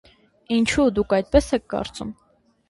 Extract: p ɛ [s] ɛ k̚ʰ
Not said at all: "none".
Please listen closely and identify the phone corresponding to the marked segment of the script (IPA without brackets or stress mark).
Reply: s